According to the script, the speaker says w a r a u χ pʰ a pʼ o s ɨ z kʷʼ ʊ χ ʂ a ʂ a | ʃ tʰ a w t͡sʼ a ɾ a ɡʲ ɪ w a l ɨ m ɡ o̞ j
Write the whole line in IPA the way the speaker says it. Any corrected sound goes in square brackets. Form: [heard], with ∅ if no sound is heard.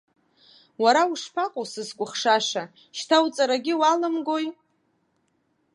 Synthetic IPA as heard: w a [ɾ] a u [ʂ] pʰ a [qʼ] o s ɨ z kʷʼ ʊ χ ʂ a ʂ a | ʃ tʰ a w t͡sʼ a ɾ a ɡʲ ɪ w a l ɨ m ɡ o̞ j